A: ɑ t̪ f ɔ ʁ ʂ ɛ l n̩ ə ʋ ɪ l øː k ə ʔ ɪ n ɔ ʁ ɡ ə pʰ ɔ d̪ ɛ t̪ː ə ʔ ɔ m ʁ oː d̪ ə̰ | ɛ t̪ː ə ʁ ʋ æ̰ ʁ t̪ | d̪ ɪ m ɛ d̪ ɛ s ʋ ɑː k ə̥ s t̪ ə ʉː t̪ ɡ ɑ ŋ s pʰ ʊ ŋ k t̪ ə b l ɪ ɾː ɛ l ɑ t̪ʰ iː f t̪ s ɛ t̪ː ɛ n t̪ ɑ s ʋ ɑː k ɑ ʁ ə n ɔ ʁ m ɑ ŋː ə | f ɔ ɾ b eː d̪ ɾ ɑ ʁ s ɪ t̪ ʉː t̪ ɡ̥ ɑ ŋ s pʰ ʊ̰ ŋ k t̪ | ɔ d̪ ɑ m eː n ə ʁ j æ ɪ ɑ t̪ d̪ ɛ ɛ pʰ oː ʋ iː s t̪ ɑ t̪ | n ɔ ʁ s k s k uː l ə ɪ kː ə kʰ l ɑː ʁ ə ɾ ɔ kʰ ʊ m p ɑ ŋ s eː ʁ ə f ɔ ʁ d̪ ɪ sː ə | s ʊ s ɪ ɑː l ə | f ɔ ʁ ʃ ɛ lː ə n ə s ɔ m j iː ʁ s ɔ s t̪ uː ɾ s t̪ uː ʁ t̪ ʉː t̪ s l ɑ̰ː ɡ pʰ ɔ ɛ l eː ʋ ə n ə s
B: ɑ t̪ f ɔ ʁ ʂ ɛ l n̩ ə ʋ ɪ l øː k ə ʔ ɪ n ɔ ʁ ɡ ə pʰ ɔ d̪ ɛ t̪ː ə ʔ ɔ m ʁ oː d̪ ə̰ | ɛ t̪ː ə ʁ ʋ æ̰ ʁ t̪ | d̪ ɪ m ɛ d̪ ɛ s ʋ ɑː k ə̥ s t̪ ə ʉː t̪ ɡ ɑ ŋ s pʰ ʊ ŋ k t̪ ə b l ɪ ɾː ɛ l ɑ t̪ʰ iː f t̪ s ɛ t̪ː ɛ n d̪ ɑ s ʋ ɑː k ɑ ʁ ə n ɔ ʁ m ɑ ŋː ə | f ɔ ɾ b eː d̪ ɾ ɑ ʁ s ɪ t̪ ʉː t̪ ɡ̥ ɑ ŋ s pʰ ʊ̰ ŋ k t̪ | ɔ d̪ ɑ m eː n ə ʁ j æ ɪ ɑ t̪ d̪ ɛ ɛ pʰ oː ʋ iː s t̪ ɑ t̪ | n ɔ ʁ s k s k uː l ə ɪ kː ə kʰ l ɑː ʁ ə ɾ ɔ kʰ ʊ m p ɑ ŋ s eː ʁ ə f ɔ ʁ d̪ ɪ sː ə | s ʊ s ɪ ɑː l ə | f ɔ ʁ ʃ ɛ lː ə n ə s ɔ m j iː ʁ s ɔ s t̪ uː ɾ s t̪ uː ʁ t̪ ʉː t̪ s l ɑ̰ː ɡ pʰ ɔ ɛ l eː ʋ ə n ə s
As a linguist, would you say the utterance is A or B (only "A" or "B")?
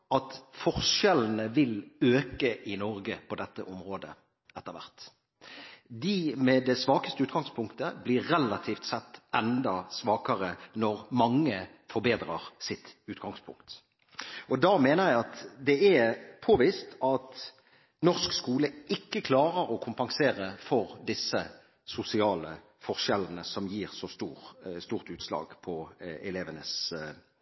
B